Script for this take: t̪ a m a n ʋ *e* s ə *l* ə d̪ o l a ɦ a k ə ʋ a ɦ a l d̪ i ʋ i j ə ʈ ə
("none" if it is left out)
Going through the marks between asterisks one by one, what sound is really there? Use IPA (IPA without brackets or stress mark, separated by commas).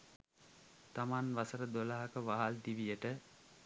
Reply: a, ɾ